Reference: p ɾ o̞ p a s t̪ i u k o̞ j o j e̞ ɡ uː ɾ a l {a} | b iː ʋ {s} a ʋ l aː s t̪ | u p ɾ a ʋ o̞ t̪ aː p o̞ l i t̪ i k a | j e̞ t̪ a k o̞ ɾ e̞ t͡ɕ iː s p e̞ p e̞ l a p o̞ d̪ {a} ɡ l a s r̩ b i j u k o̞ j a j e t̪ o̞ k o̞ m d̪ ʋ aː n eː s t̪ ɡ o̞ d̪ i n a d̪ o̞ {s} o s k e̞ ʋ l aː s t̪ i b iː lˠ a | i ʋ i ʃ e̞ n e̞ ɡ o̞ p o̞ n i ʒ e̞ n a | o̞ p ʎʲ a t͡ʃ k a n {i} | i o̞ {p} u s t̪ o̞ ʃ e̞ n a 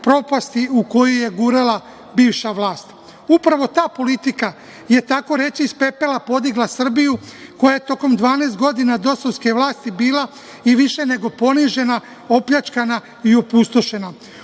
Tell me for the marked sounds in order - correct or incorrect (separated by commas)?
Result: correct, incorrect, incorrect, correct, incorrect, correct